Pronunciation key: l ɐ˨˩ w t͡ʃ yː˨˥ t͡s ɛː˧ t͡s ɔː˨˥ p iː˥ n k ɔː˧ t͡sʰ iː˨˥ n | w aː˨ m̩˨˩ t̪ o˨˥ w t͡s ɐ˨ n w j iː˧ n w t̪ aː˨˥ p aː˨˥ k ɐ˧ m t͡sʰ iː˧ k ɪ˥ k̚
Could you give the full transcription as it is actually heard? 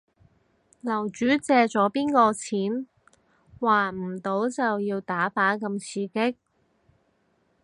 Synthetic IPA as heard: l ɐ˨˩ w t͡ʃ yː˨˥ t͡s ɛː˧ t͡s ɔː˨˥ p iː˥ n k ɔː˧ t͡sʰ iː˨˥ n | w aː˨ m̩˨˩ t̪ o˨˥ w t͡s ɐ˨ w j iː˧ w t̪ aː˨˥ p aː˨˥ k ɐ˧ m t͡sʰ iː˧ k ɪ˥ k̚